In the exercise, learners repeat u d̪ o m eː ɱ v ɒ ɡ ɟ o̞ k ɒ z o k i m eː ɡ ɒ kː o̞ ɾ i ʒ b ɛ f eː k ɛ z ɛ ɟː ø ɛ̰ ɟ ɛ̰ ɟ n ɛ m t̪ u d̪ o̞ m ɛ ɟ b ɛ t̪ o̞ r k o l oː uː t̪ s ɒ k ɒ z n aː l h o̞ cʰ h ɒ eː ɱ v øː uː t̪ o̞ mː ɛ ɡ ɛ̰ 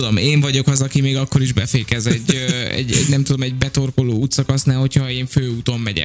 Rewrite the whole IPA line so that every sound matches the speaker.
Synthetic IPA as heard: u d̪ o m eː ɱ v ɒ ɟ o̞ k ɒ z ɒ k i m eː ɡ ɒ kː o̞ ɾ i ʒ b ɛ f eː k ɛ z ɛ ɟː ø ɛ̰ ɟ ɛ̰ ɟ n ɛ m t̪ u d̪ o̞ m ɛ ɟ b ɛ t̪ o̞ r k o l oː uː t̪ s ɒ k ɒ s n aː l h o̞ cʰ h ɒ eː ɱ f øː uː t̪ o̞ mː ɛ ɟ ɛ̰